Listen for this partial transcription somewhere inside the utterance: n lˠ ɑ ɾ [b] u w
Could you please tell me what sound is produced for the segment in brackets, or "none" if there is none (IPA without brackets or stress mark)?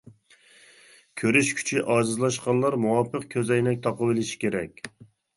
m